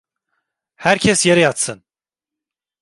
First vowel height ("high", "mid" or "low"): low